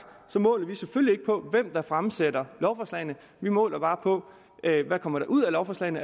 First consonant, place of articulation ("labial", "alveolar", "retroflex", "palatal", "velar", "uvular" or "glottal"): alveolar